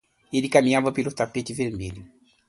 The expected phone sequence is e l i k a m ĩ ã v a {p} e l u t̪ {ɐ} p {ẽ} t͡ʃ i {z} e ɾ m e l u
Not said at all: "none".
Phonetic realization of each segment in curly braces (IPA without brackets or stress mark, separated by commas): p, a, e, v